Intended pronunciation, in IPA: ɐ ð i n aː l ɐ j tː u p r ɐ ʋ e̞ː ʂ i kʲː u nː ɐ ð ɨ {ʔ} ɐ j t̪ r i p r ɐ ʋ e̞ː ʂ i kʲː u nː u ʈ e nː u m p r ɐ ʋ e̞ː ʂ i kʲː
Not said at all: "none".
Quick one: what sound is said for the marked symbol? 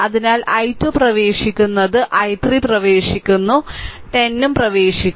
ʔ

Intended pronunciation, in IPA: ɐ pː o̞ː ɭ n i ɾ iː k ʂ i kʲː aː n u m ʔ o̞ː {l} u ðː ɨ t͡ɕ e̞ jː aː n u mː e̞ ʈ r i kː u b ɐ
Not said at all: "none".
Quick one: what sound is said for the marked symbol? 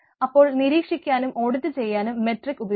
ɽ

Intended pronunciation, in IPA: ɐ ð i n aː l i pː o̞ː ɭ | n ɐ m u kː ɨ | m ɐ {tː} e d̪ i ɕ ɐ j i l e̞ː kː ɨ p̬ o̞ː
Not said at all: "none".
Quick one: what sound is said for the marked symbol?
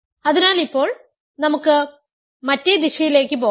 tː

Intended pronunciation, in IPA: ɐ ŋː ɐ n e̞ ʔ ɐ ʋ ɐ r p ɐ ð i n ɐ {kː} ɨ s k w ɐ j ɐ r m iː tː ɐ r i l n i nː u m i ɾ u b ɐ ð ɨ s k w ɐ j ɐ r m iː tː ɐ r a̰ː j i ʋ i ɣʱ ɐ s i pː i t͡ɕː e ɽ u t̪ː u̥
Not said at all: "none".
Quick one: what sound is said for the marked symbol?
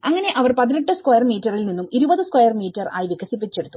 ʈː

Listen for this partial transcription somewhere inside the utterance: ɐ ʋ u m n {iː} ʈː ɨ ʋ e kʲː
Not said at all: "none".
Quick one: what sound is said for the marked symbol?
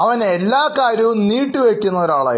iː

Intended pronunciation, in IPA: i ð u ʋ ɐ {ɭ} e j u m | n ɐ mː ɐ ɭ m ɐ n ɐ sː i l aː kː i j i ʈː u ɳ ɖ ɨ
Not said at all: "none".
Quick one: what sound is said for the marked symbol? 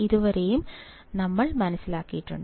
ɾ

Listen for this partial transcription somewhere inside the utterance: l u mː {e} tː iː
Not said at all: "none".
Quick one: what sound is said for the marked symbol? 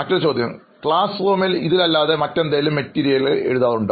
e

